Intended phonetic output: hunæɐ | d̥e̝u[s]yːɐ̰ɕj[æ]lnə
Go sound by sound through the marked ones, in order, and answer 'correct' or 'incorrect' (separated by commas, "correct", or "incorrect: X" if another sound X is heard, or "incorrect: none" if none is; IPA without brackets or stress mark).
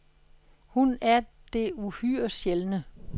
incorrect: h, incorrect: e